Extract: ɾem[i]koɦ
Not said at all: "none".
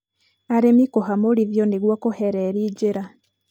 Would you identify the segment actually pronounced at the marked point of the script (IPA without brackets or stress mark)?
i